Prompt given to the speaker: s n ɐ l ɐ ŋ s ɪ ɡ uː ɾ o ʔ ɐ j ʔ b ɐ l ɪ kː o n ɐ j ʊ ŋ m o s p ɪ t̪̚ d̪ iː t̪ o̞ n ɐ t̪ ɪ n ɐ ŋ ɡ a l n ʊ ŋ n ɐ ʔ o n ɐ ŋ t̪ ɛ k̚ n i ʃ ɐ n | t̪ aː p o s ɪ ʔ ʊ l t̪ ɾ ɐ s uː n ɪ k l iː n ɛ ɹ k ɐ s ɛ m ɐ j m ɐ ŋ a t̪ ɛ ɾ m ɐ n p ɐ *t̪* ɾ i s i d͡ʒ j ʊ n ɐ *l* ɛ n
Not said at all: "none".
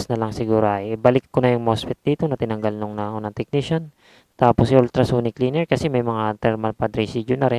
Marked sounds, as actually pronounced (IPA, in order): d̪, ɾ

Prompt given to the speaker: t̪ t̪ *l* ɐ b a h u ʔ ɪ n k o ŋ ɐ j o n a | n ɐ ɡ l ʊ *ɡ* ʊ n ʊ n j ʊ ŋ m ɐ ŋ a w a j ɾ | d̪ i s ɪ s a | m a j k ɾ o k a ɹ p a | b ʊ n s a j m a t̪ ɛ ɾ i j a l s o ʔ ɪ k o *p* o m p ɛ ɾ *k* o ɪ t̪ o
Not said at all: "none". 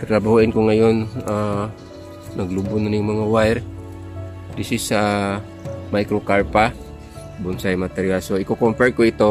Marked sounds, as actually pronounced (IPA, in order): ɾ, b, k, k

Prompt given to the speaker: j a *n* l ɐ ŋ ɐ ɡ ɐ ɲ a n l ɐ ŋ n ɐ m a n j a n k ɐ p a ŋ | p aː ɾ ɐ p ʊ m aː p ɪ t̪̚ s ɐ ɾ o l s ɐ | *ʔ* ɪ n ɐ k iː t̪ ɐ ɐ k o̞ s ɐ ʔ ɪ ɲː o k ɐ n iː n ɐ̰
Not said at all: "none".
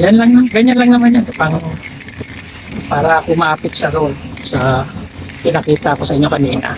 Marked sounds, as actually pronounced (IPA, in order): n, p

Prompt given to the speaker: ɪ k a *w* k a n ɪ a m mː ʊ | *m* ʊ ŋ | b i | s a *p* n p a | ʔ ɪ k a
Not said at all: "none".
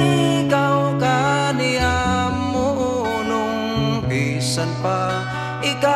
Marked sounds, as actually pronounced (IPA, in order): w, n, none

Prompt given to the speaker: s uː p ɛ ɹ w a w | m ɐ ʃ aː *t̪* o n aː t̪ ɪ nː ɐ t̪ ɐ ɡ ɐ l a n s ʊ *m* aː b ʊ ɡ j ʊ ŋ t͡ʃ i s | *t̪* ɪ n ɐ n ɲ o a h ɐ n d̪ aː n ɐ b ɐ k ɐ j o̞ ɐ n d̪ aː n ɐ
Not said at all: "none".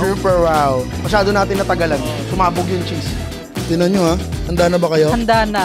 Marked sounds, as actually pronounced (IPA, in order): d̪, m, t̪

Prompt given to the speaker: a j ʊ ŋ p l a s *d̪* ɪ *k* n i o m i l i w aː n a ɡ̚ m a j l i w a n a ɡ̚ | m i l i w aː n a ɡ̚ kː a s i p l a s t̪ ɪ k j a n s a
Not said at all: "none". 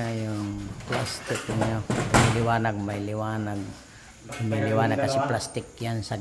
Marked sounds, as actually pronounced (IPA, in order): t̪, k

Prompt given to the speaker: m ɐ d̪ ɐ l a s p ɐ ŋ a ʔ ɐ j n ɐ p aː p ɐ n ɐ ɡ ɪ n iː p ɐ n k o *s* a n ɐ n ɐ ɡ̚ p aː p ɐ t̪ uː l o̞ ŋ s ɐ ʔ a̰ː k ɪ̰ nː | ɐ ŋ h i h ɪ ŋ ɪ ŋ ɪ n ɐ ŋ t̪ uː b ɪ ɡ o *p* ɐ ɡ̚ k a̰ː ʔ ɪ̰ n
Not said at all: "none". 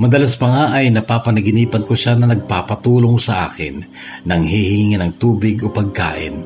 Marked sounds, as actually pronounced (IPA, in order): ʃ, p

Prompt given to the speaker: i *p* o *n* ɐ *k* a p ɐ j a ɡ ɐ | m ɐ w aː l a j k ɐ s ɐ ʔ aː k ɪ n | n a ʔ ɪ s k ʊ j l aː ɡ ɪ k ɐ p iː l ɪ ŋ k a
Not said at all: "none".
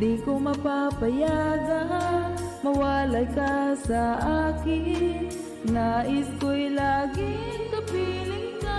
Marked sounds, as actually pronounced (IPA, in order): k, m, p

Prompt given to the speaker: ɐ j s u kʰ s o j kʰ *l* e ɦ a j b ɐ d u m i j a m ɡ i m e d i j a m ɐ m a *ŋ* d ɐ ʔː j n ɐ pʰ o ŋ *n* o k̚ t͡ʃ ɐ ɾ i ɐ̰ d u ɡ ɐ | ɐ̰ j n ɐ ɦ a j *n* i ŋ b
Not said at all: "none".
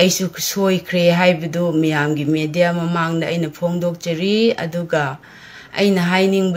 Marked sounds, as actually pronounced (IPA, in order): ɾ, ŋ, d, n

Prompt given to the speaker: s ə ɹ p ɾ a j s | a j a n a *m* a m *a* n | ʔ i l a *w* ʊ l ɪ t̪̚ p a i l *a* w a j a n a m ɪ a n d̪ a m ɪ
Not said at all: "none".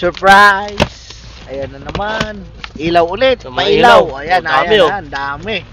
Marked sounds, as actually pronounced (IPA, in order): n, a, w, a

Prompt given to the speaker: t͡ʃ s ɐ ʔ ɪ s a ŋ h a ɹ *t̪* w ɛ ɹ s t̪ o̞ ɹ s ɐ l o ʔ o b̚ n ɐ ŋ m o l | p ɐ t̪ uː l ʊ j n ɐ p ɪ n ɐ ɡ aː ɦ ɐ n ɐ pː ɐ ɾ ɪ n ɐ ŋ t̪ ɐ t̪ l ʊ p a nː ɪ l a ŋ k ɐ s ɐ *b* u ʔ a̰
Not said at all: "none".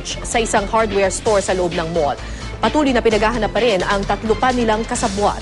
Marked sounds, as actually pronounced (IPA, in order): d̪, b

